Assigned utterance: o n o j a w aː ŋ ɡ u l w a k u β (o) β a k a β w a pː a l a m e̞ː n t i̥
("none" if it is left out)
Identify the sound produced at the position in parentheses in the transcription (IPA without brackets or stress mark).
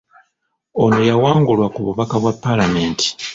u